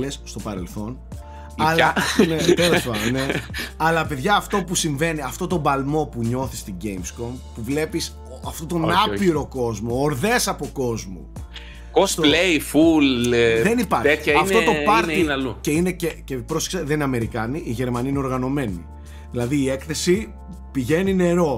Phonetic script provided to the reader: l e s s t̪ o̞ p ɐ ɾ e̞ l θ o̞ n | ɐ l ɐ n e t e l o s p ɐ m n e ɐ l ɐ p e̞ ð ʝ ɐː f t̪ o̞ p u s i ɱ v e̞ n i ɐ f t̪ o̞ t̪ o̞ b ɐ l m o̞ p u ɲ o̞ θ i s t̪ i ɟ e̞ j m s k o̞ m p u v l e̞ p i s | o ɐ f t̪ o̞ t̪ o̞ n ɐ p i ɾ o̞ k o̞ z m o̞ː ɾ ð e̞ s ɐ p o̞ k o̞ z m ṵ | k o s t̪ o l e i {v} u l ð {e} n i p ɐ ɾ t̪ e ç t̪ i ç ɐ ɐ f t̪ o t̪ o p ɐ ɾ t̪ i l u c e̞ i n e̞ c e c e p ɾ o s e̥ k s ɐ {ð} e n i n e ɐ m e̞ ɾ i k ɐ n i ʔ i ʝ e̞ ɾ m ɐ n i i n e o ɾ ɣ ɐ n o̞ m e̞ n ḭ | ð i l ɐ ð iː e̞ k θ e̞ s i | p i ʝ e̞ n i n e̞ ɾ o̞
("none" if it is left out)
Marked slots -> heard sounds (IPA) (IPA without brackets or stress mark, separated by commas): f, e, ð